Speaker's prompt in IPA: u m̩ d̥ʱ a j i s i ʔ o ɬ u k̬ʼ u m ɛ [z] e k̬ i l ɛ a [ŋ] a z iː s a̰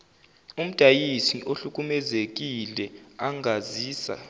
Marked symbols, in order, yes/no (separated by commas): yes, yes